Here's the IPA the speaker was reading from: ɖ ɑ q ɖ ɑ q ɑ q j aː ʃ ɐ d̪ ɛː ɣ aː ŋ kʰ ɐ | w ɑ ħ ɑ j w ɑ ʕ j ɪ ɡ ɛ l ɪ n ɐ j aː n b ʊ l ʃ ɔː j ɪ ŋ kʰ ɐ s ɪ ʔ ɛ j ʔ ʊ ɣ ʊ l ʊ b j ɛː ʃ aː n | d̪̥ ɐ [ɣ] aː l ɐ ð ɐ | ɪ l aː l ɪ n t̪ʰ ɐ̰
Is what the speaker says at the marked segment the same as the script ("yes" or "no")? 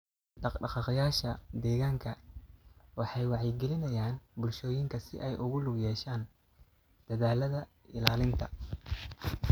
no